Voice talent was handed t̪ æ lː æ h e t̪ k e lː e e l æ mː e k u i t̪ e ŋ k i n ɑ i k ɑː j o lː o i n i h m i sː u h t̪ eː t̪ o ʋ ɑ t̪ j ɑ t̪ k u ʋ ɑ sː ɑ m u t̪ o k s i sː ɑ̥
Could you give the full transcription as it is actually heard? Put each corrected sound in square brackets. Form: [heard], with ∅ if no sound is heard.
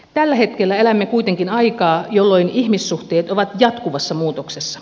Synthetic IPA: t̪ æ lː æ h e t̪ k e lː [æ] e l æ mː e k u i t̪ e ŋ k i n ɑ i k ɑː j o lː o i n i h m i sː u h t̪ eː t̪ o ʋ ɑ t̪ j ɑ t̪ k u ʋ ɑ sː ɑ m [uː] t̪ o k s [e] sː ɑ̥